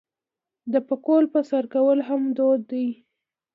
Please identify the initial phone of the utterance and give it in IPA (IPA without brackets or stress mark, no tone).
d̪